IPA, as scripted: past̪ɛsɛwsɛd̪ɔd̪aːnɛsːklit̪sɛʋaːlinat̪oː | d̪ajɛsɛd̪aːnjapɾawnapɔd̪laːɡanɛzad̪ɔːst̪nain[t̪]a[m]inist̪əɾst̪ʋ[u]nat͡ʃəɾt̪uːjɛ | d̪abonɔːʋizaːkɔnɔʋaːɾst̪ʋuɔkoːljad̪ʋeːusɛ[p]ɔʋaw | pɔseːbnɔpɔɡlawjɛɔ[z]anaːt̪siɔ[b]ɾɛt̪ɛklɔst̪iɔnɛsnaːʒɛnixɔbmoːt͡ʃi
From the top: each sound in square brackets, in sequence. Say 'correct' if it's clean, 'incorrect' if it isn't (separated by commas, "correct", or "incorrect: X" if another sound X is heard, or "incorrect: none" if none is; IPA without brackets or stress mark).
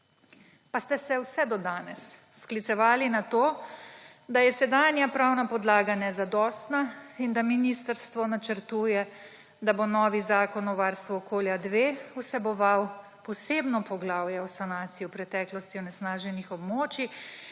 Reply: incorrect: d̪, correct, incorrect: ɔ, incorrect: b, incorrect: s, incorrect: p